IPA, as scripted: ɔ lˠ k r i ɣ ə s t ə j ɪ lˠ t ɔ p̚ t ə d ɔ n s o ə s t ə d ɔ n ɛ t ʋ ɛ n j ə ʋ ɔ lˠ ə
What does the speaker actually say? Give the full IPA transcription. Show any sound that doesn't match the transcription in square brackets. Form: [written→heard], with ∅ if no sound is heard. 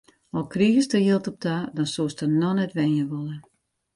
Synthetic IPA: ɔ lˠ k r i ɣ ə s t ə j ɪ lˠ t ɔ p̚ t [ə→a] d ɔ n s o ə s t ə [d→n] ɔ n ɛ t ʋ ɛ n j ə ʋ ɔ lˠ ə